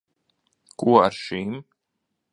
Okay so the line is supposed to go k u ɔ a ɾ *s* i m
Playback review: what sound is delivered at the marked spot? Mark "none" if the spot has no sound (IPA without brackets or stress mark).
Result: ʃ